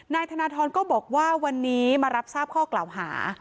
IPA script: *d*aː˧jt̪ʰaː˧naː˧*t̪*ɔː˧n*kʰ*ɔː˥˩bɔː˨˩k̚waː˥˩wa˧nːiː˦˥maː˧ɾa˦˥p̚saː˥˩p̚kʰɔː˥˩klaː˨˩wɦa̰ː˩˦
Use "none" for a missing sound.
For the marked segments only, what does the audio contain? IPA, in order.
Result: n, t̪ʰ, k

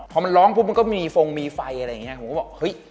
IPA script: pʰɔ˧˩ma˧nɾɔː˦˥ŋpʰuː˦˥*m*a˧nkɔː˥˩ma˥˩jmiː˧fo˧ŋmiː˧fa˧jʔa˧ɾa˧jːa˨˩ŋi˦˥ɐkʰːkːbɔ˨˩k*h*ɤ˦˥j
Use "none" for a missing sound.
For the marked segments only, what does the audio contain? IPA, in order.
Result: m, h

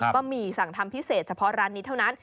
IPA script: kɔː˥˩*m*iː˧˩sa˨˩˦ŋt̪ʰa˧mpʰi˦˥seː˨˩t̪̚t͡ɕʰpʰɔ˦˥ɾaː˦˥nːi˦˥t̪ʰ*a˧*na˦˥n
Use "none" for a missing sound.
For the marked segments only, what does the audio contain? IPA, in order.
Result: m, a˥˩

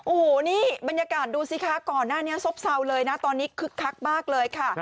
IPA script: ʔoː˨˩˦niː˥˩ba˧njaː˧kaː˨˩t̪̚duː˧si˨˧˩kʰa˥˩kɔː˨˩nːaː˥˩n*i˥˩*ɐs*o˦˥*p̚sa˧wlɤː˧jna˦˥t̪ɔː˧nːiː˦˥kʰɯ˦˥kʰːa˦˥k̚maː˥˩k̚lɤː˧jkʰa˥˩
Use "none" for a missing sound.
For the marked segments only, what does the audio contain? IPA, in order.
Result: i˦˥, o˦˥

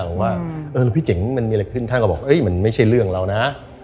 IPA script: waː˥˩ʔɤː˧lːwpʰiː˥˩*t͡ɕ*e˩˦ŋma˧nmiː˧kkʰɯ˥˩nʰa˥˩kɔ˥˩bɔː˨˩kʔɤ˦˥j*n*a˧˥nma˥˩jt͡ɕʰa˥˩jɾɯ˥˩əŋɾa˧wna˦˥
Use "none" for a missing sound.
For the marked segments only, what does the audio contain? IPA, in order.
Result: t͡ɕ, m

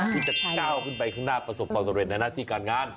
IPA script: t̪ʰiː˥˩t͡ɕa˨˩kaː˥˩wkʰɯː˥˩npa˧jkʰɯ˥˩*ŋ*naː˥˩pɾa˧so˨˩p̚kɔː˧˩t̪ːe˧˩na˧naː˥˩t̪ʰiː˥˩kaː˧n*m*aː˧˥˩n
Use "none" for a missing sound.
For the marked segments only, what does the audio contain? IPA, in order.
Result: ŋ, ŋ

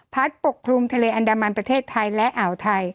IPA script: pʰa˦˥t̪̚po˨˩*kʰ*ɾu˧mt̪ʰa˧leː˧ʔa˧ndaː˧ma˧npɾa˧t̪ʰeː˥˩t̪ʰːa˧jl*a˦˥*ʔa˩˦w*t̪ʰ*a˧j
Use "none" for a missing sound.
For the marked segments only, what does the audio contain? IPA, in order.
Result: kʰ, ɛ˦˥, t̪ʰ

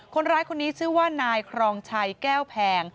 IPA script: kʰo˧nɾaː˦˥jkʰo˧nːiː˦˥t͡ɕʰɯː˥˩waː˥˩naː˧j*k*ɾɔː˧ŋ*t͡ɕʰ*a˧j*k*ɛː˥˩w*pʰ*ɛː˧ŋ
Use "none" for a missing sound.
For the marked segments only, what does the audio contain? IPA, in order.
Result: kʰ, t͡ɕʰ, k, pʰ

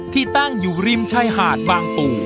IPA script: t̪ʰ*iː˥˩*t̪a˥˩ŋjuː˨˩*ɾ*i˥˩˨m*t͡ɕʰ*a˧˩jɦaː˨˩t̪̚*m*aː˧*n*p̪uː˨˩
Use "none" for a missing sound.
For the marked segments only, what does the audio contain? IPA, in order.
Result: iː˥˩, ɾ, t͡ɕʰ, b, ŋ

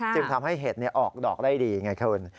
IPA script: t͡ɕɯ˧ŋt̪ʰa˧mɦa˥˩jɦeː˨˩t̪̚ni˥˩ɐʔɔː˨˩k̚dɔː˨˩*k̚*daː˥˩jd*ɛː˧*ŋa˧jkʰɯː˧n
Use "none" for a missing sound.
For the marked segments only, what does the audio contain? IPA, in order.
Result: k̚, iː˧

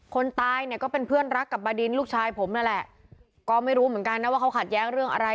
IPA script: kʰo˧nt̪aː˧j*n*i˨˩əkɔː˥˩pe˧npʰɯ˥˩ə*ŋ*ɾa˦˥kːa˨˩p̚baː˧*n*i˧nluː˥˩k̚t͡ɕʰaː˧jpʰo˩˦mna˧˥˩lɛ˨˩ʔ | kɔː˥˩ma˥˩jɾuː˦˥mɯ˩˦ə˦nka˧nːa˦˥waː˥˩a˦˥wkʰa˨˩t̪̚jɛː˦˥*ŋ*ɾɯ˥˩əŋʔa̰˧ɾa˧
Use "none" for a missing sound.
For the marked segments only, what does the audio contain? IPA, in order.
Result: n, n, d, ŋ

